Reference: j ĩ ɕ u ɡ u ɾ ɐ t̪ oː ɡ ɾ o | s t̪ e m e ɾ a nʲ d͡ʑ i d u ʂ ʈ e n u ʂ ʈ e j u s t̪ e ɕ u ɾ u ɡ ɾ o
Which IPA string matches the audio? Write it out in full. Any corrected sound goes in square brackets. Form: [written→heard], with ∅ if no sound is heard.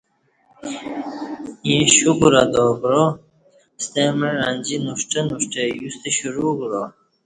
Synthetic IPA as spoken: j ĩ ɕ u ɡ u ɾ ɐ [t̪→d̪] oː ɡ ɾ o | s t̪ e m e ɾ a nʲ d͡ʑ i [d→n] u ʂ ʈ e n u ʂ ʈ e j u s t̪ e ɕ u ɾ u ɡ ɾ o